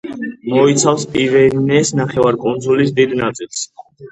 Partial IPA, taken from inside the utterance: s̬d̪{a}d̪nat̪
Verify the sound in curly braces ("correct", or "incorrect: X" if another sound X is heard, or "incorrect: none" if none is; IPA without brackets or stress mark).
incorrect: i